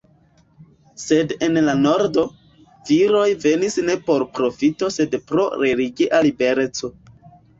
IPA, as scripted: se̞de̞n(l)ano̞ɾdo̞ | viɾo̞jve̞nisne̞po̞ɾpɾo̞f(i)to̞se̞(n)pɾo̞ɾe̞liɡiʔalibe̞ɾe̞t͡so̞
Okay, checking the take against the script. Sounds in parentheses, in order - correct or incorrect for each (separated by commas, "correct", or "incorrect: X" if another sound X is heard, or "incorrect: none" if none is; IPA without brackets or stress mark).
correct, correct, incorrect: d